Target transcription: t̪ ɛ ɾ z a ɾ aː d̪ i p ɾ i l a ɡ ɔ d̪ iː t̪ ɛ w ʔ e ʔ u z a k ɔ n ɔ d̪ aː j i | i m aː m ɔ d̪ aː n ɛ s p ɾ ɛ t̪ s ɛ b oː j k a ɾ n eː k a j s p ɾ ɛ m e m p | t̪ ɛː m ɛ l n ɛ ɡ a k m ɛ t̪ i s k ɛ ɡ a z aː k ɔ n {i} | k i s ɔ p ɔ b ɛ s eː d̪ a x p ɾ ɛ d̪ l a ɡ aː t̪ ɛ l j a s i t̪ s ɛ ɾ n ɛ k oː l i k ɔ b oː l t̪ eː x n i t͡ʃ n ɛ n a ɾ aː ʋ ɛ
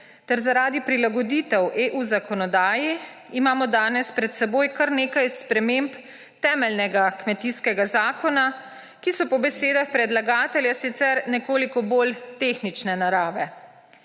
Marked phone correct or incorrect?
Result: incorrect